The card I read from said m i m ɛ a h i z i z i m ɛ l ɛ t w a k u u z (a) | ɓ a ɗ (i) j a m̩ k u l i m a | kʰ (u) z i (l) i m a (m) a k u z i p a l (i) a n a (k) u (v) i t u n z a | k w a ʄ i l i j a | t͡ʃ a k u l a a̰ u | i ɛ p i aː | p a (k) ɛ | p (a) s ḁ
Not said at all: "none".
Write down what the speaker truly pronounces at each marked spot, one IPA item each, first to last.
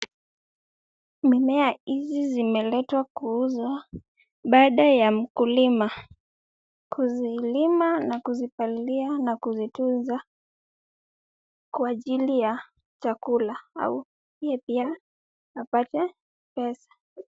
a, a, u, l, n, i, k, z, t, ɛ

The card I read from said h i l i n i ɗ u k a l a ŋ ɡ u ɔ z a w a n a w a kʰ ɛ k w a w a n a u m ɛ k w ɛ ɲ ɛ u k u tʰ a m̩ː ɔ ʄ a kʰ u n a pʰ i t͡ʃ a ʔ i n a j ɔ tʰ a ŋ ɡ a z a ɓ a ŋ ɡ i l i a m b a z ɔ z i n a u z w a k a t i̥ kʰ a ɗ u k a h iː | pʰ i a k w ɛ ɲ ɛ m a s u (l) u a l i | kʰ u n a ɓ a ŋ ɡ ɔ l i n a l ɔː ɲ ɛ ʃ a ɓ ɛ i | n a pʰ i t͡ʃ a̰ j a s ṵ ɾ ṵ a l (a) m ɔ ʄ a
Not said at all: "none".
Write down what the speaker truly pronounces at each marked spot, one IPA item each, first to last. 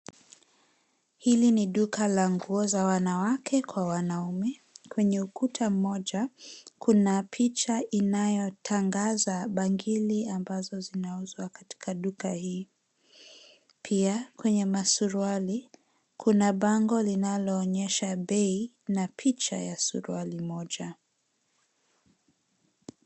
ɾ, i

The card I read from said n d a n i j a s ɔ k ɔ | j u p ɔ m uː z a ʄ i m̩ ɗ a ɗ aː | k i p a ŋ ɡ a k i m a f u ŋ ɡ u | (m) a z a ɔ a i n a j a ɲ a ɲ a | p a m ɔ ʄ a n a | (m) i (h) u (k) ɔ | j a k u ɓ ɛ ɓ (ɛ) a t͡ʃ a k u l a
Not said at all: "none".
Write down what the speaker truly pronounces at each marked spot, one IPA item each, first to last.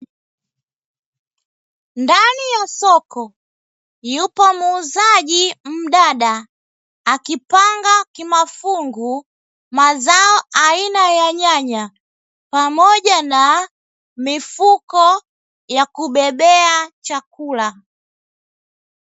m, m, f, k, ɛ

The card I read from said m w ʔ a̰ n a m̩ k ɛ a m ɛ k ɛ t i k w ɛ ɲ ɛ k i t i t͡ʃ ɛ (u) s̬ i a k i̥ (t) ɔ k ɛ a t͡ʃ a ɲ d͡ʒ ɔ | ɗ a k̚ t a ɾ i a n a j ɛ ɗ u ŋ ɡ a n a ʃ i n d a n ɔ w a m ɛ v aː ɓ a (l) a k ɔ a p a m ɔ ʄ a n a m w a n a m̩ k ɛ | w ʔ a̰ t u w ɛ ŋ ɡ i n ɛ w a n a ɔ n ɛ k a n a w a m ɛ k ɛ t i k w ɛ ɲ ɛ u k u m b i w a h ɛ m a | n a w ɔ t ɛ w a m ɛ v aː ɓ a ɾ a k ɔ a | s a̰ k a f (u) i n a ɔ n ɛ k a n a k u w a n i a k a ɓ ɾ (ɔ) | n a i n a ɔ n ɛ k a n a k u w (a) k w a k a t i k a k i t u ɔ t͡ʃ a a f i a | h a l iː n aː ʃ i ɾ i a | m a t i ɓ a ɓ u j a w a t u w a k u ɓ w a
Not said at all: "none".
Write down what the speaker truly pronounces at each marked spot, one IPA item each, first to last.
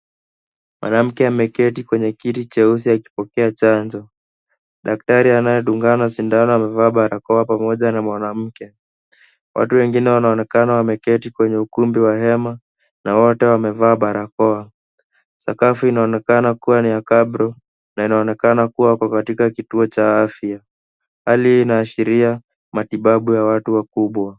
u, p, ɾ, u, ɔ, a

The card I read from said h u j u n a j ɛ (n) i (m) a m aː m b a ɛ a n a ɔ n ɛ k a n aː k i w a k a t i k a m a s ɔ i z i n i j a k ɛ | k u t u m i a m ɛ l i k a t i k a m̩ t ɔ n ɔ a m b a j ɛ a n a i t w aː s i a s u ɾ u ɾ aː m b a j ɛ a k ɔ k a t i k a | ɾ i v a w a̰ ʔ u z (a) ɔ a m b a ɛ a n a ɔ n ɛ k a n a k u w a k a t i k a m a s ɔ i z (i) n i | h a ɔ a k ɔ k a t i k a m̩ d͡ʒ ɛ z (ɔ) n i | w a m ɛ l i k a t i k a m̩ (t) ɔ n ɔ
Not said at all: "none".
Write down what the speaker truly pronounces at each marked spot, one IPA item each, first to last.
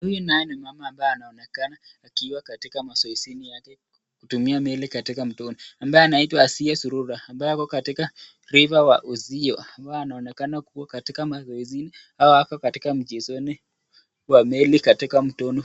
n, m, i, i, ɔ, t

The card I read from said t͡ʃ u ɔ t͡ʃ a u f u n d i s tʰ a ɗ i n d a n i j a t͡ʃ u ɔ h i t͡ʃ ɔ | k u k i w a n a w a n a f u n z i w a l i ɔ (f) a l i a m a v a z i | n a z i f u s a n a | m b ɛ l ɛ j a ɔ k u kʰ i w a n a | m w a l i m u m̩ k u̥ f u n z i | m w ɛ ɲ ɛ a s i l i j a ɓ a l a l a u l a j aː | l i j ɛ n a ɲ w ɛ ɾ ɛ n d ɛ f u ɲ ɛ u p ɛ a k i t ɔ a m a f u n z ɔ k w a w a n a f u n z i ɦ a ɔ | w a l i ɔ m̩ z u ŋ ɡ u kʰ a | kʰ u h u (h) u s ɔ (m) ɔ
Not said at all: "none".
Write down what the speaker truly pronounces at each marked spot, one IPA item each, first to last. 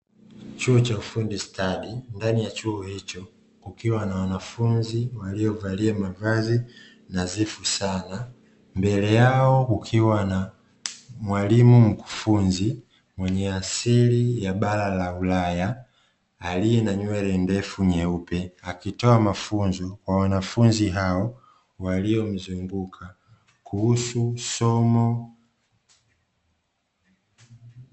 v, s, m

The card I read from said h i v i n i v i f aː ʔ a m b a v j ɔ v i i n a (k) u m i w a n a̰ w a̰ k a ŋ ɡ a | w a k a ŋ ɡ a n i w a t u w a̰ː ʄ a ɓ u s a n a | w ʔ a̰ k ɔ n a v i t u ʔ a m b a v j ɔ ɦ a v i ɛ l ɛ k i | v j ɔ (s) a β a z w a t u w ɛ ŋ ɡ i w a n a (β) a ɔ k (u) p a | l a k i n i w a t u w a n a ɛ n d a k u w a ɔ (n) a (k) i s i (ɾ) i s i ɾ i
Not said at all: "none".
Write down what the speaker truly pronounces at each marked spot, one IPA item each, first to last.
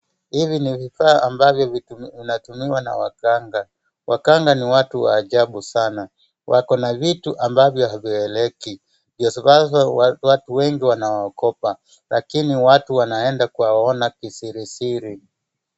t, s, w, ɔ, n, k, ɾ

